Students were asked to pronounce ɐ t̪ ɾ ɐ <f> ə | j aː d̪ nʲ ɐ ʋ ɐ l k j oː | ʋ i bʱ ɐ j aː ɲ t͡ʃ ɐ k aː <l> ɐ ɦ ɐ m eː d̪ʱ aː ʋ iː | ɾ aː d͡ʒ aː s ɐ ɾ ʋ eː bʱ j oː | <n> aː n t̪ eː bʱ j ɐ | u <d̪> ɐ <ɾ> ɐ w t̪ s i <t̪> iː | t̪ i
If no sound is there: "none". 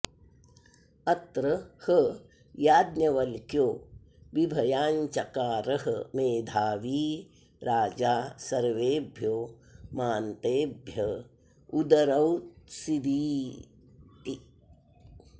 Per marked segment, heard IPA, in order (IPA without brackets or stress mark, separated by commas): h, ɾ, m, d̪, ɾ, d̪